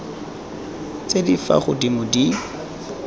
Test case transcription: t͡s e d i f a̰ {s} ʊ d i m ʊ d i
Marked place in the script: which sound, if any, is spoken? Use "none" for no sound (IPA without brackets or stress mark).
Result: χ